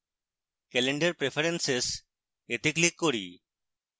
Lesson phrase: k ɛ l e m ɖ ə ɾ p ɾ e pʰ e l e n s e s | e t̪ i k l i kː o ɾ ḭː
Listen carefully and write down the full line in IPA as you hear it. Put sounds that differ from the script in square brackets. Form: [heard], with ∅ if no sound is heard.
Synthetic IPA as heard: k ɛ l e [ɳ] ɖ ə ɾ p ɾ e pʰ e [ɾ] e n s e s | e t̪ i k l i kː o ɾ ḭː